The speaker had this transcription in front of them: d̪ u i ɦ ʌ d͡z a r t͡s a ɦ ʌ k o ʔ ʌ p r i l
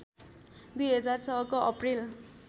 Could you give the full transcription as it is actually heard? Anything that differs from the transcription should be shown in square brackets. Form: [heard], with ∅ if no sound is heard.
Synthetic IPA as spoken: d̪ u [j] ɦ ʌ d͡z a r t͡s [ʌ] ɦ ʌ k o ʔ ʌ p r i l